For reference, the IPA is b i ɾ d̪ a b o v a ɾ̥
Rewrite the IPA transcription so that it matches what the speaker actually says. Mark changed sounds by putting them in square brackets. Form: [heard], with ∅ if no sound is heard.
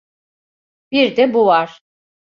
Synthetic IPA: b i ɾ d̪ [ɛ] b [u] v a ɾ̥